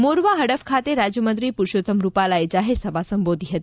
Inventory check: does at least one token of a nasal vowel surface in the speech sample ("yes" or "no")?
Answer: no